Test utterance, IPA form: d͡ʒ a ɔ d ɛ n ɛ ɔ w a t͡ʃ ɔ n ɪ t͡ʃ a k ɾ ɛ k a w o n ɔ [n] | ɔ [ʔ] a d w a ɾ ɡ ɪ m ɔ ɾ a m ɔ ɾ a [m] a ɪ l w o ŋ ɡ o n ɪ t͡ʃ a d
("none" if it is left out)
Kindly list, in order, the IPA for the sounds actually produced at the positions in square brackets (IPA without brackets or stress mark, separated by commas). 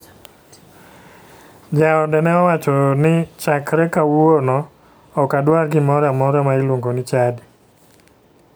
none, k, m